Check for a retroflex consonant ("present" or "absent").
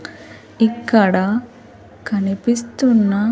present